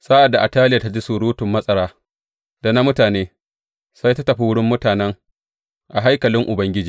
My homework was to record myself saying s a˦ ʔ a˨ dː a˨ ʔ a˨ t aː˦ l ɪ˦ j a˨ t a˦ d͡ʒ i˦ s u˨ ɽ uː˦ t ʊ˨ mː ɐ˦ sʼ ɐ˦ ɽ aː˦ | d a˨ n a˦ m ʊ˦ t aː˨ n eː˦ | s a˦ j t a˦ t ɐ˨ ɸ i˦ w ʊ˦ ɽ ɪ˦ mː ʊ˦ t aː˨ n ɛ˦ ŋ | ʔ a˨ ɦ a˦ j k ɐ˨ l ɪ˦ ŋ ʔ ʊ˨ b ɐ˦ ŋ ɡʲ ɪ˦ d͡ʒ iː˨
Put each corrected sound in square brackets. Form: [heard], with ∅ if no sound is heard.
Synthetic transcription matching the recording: s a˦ ʔ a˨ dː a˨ ʔ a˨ t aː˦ l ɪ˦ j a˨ t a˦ d͡ʒ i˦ s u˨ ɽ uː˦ t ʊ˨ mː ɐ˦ sʼ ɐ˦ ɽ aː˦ | d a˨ n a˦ m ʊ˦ t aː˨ n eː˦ | s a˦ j t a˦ t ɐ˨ ɸ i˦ w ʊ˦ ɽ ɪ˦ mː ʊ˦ t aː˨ n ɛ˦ ŋ | ʔ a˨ ɦ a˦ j k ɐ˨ l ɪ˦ ŋ ʔ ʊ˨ b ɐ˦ ŋ ɡʲ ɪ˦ d͡ʒ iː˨

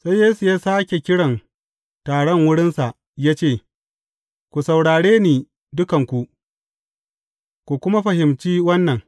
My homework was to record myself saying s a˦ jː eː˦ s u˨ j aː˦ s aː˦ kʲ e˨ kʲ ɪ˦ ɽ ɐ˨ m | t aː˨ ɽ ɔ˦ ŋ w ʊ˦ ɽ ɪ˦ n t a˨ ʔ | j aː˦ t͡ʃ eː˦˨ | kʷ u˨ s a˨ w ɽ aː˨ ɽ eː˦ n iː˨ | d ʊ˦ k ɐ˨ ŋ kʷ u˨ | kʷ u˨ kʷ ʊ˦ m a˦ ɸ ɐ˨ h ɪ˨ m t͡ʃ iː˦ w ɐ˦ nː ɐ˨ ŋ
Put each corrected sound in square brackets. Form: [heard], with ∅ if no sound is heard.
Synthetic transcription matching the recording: s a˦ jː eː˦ s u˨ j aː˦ s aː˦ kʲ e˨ kʲ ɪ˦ ɽ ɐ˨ [n] | t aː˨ ɽ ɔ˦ ŋ w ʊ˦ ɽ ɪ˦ n [s] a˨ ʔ | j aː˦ t͡ʃ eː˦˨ | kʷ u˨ s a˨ w ɽ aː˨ ɽ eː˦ n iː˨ | d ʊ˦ k ɐ˨ ŋ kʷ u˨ | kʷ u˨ kʷ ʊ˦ m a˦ ɸ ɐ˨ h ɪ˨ m t͡ʃ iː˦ w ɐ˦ nː ɐ˨ ŋ

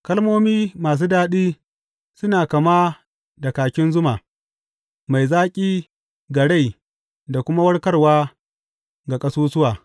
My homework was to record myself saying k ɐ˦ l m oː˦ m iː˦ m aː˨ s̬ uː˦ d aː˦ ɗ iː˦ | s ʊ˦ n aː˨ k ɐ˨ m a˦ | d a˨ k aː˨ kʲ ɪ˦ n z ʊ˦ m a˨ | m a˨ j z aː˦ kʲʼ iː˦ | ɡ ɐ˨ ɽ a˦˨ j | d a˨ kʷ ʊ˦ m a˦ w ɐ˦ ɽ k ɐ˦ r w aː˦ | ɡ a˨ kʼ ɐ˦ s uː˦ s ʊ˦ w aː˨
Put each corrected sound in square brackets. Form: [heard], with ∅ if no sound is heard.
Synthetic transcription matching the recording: k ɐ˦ l m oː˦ m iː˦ m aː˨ s̬ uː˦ d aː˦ ɗ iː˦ | s ʊ˦ n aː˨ k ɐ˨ m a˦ | d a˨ k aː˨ kʲ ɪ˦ n z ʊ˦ m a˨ | m a˨ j z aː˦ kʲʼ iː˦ | ɡ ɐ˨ ɽ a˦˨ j | d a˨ kʷ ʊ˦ m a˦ w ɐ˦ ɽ k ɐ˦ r w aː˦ | ɡ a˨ kʼ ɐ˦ s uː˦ s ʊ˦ w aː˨

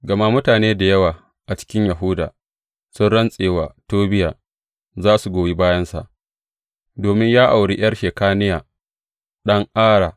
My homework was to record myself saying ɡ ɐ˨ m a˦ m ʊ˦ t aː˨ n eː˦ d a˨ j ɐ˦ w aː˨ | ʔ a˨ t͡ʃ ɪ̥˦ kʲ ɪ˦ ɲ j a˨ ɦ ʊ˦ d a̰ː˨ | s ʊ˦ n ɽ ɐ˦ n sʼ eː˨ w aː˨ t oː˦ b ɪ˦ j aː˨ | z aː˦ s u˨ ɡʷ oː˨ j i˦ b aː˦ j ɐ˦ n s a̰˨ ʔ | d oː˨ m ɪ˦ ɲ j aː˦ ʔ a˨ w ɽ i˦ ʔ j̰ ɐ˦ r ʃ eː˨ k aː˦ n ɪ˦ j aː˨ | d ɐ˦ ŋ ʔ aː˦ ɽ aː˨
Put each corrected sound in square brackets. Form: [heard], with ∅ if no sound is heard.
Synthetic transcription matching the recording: ɡ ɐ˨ m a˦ m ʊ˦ t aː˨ n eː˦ d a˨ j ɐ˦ w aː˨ | ʔ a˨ t͡ʃ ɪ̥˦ kʲ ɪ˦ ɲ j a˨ ɦ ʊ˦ d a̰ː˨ | s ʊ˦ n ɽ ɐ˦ n sʼ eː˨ w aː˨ t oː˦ b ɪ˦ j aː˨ | z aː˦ s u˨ ɡʷ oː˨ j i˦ b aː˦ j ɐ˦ n s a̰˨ ʔ | d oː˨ m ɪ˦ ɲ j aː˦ ʔ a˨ w ɽ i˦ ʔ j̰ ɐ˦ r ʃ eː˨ k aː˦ n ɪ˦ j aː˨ | [ɗ] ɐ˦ ŋ ʔ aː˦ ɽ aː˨

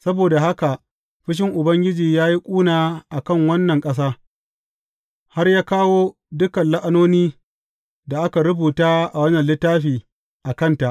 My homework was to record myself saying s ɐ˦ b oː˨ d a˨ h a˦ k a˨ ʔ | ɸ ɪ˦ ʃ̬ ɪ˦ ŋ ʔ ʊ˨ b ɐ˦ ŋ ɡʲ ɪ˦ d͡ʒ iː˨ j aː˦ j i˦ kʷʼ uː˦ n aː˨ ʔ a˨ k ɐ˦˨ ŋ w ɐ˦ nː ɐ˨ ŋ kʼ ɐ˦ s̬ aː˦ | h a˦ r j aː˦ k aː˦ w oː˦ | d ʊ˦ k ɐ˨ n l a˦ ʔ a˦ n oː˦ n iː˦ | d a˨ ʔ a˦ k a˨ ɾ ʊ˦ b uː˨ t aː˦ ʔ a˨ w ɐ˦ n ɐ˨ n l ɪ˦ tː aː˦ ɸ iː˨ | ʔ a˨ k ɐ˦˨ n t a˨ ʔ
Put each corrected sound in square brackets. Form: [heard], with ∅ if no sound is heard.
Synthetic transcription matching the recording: s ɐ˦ b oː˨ d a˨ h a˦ k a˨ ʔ | ɸ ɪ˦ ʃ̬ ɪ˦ ŋ ʔ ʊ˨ b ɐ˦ ŋ ɡʲ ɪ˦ d͡ʒ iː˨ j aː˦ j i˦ kʷʼ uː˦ n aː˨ ʔ a˨ k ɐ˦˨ ŋ w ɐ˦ nː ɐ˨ ŋ kʼ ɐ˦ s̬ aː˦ | h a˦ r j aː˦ k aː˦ w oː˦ | d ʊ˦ k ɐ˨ n l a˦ ʔ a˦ n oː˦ n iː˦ | d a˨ ʔ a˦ k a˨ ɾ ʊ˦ b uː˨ t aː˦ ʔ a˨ w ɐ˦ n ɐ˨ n l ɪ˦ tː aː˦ ɸ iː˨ | ʔ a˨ k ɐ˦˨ n t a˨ ʔ

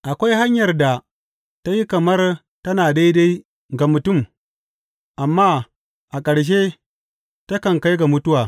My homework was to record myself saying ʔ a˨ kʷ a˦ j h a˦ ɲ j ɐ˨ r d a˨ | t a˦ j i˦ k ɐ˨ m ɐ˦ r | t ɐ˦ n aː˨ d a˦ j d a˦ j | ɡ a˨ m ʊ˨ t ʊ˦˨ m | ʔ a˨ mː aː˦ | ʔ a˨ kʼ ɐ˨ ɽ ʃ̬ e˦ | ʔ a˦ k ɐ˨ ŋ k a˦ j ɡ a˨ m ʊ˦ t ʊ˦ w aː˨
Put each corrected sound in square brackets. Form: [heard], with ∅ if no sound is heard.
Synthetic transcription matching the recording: ʔ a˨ kʷ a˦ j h a˦ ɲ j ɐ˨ r d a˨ | t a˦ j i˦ k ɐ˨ m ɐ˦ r | t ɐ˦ n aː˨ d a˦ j d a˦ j | ɡ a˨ m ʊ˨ t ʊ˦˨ m | ʔ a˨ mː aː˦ | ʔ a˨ kʼ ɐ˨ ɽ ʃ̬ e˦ | [t] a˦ k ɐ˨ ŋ k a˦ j ɡ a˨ m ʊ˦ t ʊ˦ w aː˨

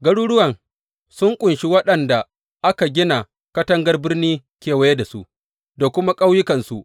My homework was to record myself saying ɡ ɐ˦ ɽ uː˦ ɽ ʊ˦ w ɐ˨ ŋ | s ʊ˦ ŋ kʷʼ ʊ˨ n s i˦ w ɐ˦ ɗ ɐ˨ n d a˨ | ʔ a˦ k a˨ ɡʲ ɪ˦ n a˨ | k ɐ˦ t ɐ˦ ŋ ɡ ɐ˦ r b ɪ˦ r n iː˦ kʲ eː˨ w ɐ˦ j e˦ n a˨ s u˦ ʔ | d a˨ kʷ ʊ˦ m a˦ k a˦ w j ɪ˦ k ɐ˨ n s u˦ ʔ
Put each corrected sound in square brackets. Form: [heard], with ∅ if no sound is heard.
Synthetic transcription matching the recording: ɡ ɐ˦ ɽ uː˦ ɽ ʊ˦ w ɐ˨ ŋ | s ʊ˦ ŋ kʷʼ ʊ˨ n [ʃ] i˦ w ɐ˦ ɗ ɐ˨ n d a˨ | ʔ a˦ k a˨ ɡʲ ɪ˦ n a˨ | k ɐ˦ t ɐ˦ ŋ ɡ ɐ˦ r b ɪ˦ r n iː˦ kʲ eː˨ w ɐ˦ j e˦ [d] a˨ s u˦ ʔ | d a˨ kʷ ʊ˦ m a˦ [kʼ] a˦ w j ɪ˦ k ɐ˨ n s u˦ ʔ

